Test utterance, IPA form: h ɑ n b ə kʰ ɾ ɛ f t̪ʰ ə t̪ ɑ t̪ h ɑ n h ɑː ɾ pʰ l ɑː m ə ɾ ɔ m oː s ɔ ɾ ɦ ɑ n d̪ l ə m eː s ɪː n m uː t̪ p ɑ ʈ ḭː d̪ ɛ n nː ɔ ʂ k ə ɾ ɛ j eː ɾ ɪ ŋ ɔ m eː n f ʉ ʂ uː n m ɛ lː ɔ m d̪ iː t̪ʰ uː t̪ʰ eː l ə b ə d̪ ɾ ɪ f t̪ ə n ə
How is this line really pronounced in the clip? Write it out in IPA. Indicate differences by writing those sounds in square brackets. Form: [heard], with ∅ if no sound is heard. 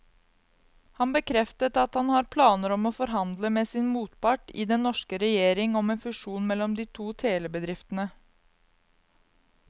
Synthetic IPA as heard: h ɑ n b ə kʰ ɾ ɛ f [t̪] ə t̪ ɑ t̪ h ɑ n h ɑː ɾ pʰ l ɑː [n] ə ɾ ɔ m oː [f] ɔ ɾ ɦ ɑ n d̪ l ə m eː s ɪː n m uː t̪ p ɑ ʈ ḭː d̪ ɛ n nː ɔ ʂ k ə ɾ ɛ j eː ɾ ɪ ŋ ɔ m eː n f ʉ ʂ uː n m ɛ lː ɔ m d̪ iː t̪ʰ uː t̪ʰ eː l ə b ə d̪ ɾ ɪ f t̪ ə n ə

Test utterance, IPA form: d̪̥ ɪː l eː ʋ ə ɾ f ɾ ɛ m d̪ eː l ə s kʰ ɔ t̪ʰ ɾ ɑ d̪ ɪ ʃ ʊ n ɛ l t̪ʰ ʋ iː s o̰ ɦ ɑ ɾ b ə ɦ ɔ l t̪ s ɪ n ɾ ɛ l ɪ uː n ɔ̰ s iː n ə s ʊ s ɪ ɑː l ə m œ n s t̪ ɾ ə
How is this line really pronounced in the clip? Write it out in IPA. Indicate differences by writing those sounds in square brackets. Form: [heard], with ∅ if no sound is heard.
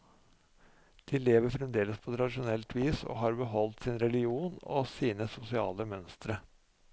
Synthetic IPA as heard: d̪̥ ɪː l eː ʋ ə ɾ f ɾ ɛ m d̪ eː l ə s [pʰ] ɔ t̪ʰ ɾ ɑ d̪ ɪ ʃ ʊ n ɛ l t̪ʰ ʋ iː s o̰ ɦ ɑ ɾ b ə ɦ ɔ l t̪ s ɪ n ɾ ɛ l ɪ uː n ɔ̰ s iː n ə s ʊ s ɪ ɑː l ə m œ n s t̪ ɾ ə

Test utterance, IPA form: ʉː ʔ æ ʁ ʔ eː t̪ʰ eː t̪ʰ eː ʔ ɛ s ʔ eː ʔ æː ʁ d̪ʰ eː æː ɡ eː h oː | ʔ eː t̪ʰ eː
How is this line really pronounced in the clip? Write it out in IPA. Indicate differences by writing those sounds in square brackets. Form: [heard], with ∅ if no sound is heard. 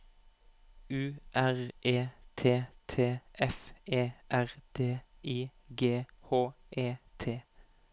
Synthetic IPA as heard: ʉː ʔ æ ʁ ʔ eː t̪ʰ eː t̪ʰ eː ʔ ɛ [f] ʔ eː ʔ [æ] ʁ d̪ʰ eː [iː] ɡ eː h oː | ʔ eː t̪ʰ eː

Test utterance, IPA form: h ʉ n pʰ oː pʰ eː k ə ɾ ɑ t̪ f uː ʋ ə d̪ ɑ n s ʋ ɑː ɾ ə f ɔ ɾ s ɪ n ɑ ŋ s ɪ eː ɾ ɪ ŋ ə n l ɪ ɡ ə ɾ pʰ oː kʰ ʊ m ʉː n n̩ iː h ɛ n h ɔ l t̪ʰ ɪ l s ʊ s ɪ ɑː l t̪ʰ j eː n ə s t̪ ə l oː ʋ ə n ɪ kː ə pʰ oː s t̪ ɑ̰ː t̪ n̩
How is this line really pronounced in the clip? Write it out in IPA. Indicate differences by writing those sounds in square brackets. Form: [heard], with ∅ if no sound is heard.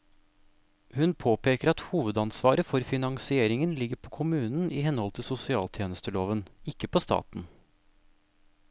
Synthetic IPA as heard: h ʉ n pʰ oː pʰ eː k ə ɾ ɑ t̪ [h] uː ʋ ə d̪ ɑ n s ʋ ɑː ɾ ə f ɔ ɾ [f] ɪ n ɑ ŋ s ɪ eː ɾ ɪ ŋ ə n l ɪ ɡ ə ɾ pʰ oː kʰ ʊ m ʉː n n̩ iː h ɛ n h ɔ l t̪ʰ ɪ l s ʊ s ɪ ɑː l t̪ʰ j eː n ə s t̪ ə l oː ʋ ə n ɪ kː ə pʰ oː s t̪ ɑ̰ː t̪ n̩

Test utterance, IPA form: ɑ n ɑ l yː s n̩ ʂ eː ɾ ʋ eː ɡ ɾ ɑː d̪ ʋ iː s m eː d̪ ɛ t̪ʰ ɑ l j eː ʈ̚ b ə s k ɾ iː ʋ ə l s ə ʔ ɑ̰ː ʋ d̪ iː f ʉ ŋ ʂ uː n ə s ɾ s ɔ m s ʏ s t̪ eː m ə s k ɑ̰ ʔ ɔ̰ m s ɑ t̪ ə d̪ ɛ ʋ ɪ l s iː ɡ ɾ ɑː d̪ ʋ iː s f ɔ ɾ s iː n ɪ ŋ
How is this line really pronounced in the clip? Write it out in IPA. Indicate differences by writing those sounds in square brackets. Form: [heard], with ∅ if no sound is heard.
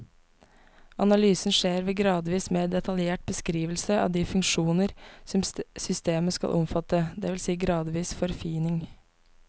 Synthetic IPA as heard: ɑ n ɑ l yː s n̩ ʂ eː ɾ ʋ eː ɡ ɾ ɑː d̪ ʋ iː s m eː d̪ ɛ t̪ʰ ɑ l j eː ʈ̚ b ə s k ɾ iː ʋ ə l s ə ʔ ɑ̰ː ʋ d̪ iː f ʉ ŋ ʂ uː n ə [∅] ɾ s ɔ m s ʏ s t̪ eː m ə s k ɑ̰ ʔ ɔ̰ m [f] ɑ t̪ ə d̪ ɛ ʋ ɪ l s iː ɡ ɾ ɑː d̪ ʋ iː s f ɔ ɾ [f] iː n ɪ ŋ

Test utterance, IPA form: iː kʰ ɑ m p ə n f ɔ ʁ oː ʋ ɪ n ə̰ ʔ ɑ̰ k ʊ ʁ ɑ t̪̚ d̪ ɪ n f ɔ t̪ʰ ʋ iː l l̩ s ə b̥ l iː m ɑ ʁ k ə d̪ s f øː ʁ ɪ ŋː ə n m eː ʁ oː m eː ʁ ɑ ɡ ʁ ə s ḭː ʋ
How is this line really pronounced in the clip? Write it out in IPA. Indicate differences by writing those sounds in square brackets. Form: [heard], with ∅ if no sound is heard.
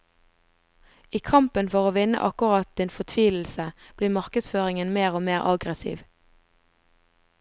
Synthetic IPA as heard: iː kʰ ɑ m p ə n f ɔ ʁ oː ʋ ɪ n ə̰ ʔ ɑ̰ k ʊ ʁ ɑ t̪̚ d̪ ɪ n f ɔ t̪ʰ ʋ iː l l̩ s ə b̥ l iː m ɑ ʁ k ə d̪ s f øː ʁ ɪ [ŋ] ə n m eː ʁ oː m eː ʁ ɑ ɡ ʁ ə s ḭː ʋ

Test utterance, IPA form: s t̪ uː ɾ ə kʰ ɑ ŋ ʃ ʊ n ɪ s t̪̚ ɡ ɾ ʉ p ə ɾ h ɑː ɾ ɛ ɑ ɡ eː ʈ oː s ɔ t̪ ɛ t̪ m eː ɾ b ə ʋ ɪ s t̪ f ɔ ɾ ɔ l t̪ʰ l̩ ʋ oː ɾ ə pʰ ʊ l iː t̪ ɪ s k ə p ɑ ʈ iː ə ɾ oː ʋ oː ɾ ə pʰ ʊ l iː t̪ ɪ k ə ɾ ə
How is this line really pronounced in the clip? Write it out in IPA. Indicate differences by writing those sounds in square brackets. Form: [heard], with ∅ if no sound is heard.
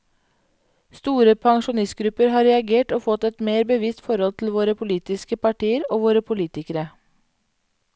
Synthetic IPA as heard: s t̪ uː ɾ ə [pʰ] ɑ ŋ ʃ ʊ n ɪ s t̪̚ ɡ ɾ ʉ p ə ɾ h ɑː ɾ ɛ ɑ ɡ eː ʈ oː [f] ɔ t̪ ɛ t̪ m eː ɾ b ə ʋ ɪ s t̪ f ɔ ɾ ɔ l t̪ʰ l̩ ʋ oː ɾ ə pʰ ʊ l iː t̪ ɪ s k ə p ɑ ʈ iː ə ɾ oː ʋ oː ɾ ə pʰ ʊ l iː t̪ ɪ k ə ɾ ə

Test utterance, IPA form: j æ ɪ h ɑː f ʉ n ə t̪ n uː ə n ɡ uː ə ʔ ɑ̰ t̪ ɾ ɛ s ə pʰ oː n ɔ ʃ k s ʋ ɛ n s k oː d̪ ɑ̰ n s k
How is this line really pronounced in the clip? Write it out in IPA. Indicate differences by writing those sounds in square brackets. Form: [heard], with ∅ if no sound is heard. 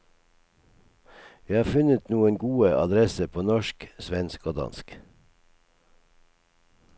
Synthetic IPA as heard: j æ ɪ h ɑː f ʉ n ə t̪ n uː ə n ɡ uː ə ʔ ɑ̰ [d̪] ɾ ɛ s ə pʰ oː n ɔ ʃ k s ʋ ɛ n s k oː d̪ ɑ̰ n s k

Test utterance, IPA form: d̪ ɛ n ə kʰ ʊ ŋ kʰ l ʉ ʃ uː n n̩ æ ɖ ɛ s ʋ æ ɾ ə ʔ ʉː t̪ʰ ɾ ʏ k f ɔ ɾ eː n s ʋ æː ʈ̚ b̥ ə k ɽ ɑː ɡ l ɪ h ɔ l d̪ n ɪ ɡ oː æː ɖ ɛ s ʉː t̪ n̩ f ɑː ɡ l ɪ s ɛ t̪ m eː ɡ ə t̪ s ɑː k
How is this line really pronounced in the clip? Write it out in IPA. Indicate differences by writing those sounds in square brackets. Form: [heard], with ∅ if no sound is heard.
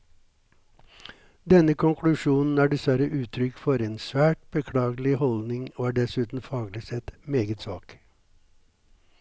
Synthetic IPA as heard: d̪ ɛ n ə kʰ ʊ ŋ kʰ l ʉ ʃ uː n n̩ [æː] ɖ ɛ s ʋ æ ɾ ə ʔ ʉː t̪ʰ ɾ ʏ k f ɔ ɾ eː n s ʋ æː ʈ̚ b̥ ə [kʰ] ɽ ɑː ɡ l ɪ h ɔ l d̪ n ɪ [ŋ] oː æː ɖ ɛ s ʉː t̪ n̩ f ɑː ɡ l ɪ s ɛ t̪ m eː ɡ ə t̪ s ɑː k

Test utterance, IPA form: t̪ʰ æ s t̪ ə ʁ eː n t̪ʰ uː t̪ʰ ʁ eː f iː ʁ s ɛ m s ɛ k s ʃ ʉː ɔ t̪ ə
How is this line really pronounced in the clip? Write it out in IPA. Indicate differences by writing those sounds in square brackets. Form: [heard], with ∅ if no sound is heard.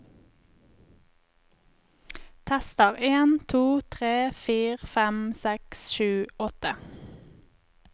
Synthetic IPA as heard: t̪ʰ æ s t̪ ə ʁ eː n t̪ʰ uː t̪ʰ ʁ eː f iː ʁ [f] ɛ m s ɛ k s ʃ ʉː ɔ t̪ ə

